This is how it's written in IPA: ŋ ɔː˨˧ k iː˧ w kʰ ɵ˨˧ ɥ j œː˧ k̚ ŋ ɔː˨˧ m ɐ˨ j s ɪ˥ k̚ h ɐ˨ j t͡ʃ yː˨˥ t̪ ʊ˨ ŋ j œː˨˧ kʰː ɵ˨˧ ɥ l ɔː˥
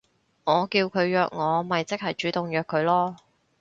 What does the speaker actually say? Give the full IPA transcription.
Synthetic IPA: ŋ ɔː˨˧ k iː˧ w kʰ ɵ˨˧ ɥ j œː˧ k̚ ŋ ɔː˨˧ m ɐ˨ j t͡s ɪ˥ k̚ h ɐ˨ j t͡ʃ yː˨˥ t̪ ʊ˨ ŋ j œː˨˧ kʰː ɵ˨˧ ɥ l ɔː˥